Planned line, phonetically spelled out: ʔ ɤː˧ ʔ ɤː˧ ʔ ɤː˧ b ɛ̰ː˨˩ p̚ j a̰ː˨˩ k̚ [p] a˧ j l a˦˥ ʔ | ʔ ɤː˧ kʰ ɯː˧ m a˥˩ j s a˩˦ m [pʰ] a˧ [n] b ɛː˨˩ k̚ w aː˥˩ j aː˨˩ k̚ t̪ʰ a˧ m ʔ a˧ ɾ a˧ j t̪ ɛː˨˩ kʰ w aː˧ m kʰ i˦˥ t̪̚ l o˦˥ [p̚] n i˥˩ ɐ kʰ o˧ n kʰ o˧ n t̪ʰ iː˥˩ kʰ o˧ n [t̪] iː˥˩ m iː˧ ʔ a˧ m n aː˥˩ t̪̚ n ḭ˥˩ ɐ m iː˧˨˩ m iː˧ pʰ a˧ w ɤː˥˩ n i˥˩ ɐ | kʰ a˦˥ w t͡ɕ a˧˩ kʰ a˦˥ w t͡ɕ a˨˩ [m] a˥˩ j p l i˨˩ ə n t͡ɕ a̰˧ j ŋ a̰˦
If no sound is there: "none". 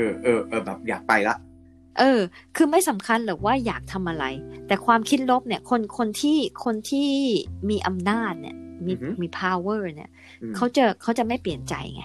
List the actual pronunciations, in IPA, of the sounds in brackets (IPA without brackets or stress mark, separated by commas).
p, kʰ, n, p̚, t̪ʰ, m